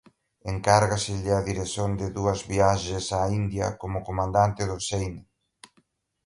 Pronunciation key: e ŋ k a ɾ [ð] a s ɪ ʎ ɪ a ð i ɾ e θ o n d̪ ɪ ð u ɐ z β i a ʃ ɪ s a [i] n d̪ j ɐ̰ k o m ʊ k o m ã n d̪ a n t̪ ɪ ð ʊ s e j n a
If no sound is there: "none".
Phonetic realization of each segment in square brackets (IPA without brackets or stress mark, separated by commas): ɣ, i